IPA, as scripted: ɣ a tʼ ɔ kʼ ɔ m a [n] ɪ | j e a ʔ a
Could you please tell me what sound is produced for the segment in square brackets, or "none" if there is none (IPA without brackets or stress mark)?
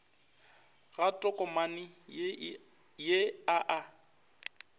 n